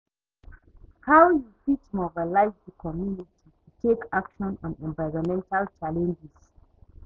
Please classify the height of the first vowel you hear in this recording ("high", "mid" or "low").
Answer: low